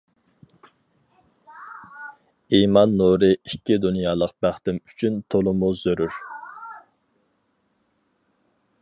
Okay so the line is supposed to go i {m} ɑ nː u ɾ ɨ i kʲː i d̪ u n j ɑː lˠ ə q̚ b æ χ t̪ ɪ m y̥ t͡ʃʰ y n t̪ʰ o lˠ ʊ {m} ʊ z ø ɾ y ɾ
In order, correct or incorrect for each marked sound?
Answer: correct, correct

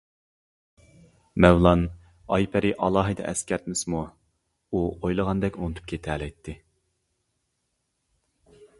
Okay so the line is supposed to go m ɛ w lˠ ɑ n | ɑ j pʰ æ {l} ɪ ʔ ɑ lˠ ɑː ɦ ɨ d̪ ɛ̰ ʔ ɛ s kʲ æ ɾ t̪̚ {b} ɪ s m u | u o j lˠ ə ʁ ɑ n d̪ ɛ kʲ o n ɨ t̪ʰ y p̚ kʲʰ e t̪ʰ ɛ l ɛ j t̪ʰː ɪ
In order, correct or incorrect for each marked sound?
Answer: incorrect, incorrect

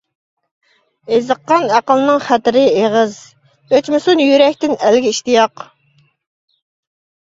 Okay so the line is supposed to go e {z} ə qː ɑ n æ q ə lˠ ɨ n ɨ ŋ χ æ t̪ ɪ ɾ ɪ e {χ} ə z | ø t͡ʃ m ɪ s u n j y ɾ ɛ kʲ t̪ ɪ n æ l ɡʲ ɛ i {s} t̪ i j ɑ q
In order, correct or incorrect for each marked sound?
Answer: correct, incorrect, incorrect

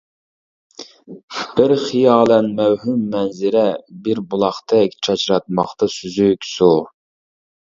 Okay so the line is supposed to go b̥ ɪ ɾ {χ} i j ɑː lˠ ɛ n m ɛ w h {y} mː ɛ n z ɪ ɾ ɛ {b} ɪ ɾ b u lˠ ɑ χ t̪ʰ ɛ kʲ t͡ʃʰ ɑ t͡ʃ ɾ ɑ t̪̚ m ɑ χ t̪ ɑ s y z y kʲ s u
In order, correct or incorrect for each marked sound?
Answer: correct, correct, correct

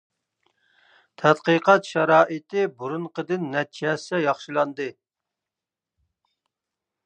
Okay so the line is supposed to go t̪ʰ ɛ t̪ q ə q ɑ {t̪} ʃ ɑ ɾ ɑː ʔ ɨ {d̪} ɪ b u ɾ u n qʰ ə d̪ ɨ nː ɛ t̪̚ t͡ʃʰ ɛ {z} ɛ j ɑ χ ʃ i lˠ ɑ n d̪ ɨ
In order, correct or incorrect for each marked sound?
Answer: correct, incorrect, incorrect

